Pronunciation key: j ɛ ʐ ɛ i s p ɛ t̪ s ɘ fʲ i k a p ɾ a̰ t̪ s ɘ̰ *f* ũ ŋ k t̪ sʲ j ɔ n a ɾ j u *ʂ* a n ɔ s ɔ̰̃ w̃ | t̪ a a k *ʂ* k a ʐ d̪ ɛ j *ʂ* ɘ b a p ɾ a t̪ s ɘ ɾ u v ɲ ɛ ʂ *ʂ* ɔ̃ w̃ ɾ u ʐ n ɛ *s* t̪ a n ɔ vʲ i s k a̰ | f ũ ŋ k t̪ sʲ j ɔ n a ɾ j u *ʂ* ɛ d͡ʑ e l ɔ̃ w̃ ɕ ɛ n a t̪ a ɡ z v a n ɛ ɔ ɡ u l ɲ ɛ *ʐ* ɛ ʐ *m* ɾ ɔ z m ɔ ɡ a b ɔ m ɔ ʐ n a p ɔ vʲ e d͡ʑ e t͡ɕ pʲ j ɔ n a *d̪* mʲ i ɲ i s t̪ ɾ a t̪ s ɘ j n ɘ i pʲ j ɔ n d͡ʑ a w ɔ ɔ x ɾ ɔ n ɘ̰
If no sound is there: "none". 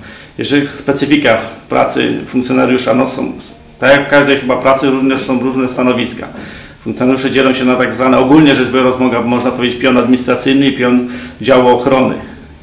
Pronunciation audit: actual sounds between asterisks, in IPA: f, ʂ, f, x, s, s, ʂ, ʐ, b, d̪

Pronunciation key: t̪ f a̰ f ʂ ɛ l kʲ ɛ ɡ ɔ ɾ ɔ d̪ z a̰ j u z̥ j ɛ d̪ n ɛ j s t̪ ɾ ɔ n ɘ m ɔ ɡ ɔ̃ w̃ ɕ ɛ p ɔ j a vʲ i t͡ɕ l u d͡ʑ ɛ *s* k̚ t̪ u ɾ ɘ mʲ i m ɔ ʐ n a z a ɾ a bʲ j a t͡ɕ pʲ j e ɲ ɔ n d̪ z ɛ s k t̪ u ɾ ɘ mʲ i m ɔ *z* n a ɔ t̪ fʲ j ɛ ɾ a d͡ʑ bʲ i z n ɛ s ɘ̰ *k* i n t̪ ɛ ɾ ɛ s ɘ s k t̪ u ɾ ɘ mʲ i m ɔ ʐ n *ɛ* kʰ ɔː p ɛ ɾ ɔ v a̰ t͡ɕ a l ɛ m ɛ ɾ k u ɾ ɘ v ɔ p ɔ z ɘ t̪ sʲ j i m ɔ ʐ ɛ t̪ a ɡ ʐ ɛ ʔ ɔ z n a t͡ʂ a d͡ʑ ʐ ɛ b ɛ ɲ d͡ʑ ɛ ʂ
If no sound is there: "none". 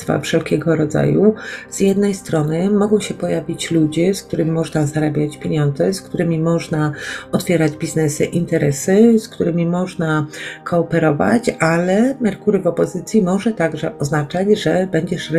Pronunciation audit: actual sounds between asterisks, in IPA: s, ʐ, ʔ, a

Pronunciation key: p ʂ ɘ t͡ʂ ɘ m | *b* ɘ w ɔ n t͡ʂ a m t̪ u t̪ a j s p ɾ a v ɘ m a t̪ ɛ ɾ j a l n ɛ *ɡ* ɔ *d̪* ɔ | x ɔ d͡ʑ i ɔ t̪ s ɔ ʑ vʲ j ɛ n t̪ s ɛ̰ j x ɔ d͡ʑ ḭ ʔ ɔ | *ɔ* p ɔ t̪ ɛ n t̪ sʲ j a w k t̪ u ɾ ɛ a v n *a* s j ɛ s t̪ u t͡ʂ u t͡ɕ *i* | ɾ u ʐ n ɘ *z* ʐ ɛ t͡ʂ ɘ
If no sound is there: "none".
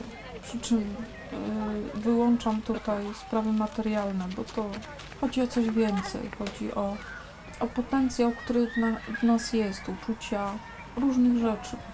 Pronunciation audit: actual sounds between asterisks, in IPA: v, b, t̪, ɔ, a, a, ɣ

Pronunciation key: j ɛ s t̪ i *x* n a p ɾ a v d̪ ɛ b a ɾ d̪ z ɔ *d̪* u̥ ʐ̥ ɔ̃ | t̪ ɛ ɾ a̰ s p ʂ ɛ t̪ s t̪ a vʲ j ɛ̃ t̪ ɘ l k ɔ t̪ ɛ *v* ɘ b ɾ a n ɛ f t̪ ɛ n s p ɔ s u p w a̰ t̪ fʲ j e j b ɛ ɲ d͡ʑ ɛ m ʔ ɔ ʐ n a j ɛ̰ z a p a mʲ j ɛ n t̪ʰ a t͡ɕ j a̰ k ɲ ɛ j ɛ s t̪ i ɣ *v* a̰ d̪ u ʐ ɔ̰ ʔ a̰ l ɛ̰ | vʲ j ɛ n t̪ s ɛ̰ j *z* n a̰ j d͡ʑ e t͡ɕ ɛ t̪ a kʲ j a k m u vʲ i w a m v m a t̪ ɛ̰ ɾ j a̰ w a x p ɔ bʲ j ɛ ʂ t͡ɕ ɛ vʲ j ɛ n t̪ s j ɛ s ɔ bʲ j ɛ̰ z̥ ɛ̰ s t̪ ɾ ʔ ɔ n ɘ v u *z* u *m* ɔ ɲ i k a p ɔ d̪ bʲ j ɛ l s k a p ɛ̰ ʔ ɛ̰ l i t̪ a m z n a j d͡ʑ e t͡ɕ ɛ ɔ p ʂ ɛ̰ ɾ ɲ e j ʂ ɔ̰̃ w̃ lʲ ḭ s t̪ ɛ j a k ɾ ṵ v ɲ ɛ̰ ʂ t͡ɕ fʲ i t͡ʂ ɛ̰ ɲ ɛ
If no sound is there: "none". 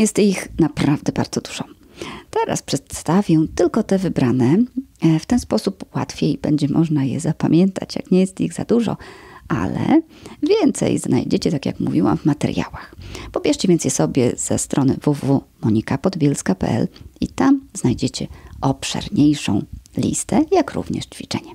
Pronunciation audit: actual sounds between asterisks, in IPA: x, d̪, v, z, z, v, m

